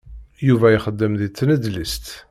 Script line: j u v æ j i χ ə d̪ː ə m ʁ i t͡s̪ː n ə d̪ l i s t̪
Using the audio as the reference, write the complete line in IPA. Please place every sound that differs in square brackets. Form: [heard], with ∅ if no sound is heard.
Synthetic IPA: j u v æ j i χ ə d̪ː ə m [ð] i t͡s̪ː n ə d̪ l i s t̪